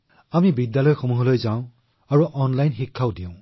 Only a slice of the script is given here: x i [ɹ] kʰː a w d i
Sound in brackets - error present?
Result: yes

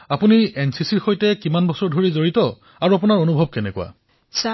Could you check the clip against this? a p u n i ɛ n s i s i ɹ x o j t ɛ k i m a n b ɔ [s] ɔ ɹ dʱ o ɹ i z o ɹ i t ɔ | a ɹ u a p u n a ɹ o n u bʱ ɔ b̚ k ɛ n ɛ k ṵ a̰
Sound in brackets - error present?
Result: no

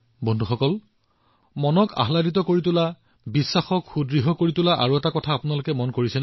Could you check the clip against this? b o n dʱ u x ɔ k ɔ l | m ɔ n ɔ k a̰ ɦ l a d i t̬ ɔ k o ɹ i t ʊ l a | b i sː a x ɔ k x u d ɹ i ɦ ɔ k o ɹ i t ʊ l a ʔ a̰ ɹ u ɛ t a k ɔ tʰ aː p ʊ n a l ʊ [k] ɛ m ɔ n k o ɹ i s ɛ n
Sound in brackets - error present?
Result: no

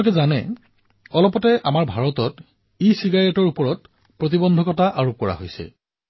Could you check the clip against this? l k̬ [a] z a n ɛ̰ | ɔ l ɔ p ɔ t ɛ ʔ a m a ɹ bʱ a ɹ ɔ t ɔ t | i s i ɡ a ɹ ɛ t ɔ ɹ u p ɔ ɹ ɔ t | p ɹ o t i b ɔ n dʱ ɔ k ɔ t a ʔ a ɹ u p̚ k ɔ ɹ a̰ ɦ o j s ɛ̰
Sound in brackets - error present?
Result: yes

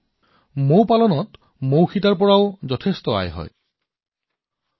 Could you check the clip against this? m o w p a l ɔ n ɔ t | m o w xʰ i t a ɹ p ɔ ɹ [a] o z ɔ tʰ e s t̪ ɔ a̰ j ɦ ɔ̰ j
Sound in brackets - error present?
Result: no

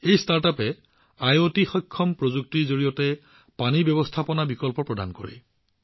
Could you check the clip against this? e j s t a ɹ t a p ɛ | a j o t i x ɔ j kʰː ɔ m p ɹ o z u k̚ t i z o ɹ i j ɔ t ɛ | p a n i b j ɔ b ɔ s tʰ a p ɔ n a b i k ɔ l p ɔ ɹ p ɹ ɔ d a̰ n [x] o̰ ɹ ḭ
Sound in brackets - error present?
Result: yes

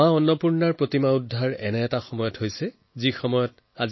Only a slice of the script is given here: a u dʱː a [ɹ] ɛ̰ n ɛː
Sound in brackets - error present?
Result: no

